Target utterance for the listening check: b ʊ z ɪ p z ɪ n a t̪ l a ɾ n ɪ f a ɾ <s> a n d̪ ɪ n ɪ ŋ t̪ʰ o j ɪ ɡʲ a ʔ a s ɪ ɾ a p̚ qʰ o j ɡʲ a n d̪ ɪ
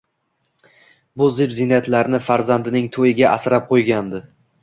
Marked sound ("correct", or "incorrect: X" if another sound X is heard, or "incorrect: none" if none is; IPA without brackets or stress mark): incorrect: z